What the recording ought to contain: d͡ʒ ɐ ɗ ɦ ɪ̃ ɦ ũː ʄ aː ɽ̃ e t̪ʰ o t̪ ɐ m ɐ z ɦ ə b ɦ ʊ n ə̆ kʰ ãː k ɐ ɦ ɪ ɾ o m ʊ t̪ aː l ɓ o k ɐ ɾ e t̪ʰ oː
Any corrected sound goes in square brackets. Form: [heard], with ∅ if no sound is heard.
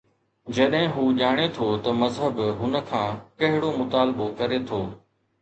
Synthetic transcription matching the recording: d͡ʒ ɐ ɗ ɦ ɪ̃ ɦ [uː] ʄ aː ɽ̃ e t̪ʰ o t̪ ɐ m ɐ z ɦ ə b ɦ ʊ n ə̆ kʰ ãː k ɐ ɦ ɪ [ɽ] o m ʊ t̪ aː l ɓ o k ɐ ɾ e t̪ʰ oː